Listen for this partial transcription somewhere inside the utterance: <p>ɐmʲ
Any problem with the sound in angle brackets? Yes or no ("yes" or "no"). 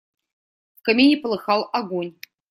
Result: yes